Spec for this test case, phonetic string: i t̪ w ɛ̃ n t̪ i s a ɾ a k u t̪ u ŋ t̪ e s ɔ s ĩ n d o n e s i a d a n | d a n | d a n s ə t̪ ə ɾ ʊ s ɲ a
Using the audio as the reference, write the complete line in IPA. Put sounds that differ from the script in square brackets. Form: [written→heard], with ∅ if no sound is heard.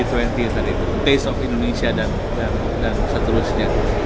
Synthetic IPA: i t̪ w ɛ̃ n t̪ i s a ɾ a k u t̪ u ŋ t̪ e s ɔ [s→f] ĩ n d o n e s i a d a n | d a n | d a n s ə t̪ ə ɾ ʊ s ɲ a